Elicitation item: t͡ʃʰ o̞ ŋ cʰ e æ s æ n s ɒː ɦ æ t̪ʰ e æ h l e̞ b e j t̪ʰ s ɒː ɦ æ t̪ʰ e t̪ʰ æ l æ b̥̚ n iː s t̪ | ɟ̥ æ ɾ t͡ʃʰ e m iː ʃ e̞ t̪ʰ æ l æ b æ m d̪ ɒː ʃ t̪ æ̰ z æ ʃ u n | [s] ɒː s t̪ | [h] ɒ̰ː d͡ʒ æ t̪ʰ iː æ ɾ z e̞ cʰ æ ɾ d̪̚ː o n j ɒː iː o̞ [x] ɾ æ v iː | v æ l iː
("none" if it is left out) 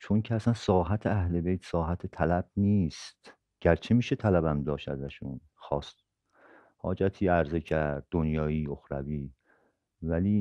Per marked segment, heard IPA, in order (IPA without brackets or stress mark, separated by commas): x, h, x